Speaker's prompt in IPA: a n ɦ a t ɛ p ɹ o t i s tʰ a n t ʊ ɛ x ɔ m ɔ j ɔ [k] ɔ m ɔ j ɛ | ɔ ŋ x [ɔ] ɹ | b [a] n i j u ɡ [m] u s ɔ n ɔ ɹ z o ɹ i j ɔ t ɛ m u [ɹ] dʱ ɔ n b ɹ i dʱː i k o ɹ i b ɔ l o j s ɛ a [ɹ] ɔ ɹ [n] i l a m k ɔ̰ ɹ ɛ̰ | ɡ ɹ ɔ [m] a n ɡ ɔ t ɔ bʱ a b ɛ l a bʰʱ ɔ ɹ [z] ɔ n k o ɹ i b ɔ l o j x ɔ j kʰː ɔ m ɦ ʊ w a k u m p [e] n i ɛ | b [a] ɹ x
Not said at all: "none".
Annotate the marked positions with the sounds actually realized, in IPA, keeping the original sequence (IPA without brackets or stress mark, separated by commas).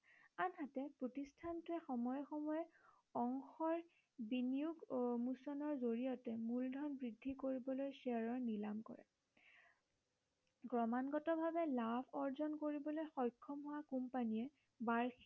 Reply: x, ɔ, i, m, l, ɹ, n, m, z, a, a